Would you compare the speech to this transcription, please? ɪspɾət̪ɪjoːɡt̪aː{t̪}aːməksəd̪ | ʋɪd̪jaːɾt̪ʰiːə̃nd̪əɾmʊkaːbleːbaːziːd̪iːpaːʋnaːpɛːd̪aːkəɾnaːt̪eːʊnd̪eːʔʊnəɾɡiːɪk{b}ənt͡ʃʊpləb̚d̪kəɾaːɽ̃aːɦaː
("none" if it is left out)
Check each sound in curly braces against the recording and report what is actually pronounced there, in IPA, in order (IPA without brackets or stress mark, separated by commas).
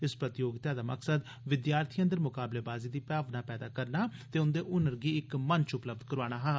d̪, m